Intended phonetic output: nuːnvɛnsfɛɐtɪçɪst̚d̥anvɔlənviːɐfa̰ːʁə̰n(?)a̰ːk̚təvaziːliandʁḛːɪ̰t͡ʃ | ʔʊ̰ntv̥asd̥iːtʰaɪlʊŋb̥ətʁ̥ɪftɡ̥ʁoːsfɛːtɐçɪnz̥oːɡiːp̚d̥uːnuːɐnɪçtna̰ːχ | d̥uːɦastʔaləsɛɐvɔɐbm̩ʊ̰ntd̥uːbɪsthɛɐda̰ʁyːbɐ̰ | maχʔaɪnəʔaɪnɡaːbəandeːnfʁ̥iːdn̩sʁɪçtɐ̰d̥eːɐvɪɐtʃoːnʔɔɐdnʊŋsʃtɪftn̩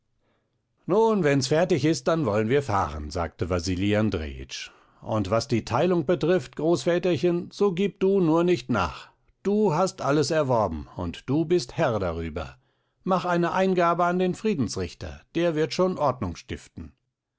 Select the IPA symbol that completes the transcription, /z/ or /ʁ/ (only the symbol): z